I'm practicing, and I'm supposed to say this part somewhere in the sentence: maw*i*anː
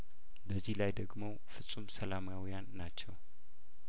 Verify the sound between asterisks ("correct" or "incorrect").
incorrect